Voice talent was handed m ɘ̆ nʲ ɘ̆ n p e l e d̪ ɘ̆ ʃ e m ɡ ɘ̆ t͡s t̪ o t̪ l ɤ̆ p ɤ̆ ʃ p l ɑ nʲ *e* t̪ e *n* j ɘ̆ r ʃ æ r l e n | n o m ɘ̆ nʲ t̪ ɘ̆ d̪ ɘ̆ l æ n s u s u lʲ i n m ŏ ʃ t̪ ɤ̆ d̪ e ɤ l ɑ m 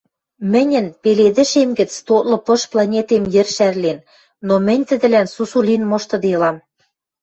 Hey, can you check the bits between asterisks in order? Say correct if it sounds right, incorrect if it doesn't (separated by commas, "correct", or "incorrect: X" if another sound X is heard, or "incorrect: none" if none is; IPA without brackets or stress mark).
correct, incorrect: m